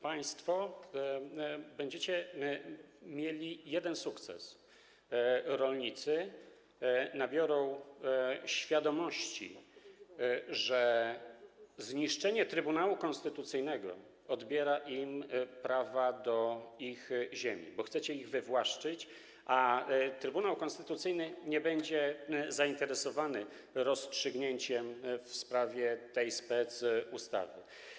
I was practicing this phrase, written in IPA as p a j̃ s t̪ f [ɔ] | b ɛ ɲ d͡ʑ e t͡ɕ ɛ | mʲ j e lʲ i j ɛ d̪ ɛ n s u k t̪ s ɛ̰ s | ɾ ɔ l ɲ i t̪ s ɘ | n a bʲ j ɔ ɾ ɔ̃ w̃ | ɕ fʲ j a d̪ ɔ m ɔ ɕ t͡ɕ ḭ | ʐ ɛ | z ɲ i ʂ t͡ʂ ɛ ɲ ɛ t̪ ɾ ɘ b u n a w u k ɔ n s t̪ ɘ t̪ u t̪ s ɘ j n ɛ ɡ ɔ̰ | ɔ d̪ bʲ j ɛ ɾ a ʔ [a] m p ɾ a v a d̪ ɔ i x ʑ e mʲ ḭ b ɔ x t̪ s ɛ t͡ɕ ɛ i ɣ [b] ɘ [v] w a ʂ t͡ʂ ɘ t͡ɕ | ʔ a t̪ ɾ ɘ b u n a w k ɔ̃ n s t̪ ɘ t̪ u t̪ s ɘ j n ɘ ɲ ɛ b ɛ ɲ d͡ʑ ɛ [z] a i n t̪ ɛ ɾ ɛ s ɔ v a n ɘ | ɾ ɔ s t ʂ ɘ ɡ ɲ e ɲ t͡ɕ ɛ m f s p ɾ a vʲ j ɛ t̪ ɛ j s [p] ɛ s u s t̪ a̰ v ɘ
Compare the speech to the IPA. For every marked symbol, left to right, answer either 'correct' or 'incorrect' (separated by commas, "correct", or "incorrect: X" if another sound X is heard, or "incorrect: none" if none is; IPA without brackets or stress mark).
correct, incorrect: i, incorrect: v, correct, correct, correct